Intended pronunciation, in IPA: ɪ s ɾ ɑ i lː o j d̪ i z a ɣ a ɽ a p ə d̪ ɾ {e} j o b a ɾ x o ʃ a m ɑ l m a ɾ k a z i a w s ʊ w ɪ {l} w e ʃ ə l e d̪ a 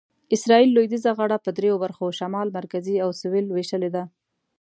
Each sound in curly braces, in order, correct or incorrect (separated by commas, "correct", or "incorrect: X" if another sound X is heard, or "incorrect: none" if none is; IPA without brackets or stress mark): correct, correct